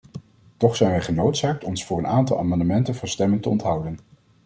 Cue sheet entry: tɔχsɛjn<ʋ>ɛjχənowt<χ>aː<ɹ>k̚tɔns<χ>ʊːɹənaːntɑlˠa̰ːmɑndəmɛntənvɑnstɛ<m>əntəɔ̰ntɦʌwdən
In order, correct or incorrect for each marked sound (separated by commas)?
correct, incorrect, incorrect, incorrect, correct